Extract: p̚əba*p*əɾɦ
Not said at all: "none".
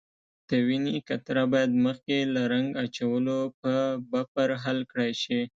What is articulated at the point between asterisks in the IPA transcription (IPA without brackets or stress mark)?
p